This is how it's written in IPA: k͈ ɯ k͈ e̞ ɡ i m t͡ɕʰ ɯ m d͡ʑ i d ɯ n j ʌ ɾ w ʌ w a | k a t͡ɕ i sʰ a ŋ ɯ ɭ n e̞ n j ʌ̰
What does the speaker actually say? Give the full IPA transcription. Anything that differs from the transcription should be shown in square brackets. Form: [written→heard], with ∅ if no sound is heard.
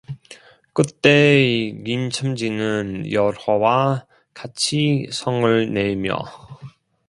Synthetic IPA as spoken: k͈ ɯ [k͈→t͈] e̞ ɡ i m t͡ɕʰ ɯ m d͡ʑ i [d→n] ɯ n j ʌ ɾ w ʌ w a | k a [t͡ɕ→t͡ɕʰ] i sʰ [a→ʌ] ŋ ɯ ɭ n e̞ [n→m] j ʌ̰